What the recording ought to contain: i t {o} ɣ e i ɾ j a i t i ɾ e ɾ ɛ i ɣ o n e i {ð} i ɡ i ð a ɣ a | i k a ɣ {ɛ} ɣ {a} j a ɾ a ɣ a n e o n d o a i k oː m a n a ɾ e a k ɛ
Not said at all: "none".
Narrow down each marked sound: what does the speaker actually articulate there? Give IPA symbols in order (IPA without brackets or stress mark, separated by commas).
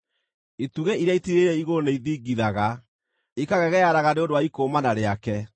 u, ð, ɛ, ɛ